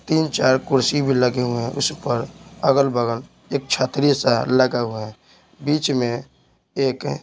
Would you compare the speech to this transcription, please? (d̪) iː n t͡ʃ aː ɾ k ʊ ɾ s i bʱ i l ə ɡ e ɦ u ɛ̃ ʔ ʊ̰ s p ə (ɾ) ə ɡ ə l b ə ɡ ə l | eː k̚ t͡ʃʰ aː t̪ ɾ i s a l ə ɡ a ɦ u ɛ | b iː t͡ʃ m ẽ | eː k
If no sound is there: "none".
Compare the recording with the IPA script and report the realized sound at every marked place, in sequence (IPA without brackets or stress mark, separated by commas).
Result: t̪, ɾ